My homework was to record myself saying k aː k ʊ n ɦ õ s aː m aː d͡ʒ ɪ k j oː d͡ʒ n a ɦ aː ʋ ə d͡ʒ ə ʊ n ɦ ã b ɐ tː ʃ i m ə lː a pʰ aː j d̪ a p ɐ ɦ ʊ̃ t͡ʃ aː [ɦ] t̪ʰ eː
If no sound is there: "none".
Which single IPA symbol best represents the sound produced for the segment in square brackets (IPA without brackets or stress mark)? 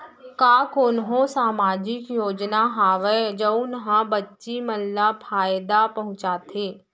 none